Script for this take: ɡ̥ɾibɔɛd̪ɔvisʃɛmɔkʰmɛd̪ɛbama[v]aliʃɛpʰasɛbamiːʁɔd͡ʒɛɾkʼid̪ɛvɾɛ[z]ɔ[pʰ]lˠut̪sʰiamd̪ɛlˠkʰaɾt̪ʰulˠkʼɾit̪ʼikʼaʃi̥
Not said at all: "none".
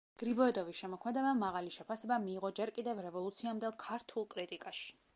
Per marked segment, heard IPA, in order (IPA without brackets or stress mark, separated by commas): ʁ, v, none